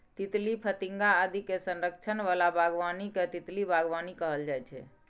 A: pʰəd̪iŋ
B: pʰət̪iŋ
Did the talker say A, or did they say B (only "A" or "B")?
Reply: B